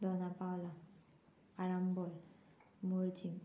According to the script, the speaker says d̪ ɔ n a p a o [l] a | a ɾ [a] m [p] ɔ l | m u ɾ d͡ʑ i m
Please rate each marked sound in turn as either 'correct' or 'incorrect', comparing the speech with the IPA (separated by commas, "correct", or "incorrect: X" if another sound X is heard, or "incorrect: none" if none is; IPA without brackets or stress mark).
correct, correct, incorrect: b